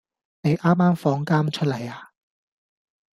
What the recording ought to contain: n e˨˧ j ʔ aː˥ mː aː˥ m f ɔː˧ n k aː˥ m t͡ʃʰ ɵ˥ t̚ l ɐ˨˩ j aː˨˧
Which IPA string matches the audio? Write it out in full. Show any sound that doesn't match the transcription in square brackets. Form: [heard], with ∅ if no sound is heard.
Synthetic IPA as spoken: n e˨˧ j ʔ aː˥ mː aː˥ m f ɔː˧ [ŋ] k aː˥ m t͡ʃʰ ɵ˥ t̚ l ɐ˨˩ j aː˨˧